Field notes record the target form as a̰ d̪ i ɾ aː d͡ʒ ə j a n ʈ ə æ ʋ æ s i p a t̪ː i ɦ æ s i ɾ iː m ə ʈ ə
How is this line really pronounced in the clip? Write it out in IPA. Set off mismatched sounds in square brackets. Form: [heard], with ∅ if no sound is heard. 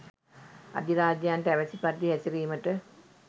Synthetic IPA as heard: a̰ d̪ i ɾ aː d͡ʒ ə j a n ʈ ə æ ʋ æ s i p a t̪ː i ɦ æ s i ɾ iː m ə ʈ ə